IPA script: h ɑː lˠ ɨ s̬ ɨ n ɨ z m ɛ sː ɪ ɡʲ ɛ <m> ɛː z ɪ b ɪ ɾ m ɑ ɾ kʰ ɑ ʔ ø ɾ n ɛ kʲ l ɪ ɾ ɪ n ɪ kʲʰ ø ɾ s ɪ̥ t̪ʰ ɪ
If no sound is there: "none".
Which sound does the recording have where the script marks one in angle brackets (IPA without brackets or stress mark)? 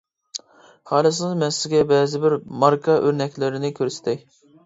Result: b